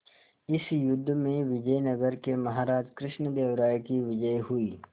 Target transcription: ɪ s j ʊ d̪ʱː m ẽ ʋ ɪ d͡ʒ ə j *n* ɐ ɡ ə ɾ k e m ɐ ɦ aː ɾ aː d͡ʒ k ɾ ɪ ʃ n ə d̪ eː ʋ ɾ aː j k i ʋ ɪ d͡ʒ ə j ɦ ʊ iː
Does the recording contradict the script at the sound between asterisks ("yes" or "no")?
no